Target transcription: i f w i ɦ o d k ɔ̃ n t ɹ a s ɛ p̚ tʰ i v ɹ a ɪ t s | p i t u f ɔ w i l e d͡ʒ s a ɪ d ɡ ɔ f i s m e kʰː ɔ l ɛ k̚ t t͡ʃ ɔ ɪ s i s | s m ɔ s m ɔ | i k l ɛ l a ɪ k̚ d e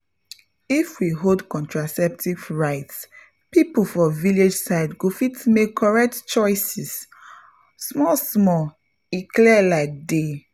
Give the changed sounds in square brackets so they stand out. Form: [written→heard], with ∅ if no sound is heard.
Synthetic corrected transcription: i f w i ɦ o d k ɔ̃ n t ɹ a s ɛ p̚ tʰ i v ɹ a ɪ t s | p i [t→p] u f ɔ [w→v] i l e d͡ʒ s a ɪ d ɡ [ɔ→o] f i [s→t] m e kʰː ɔ [l→ɹ] ɛ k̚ t t͡ʃ ɔ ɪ s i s | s m ɔ s m ɔ | i k l ɛ l a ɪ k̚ d e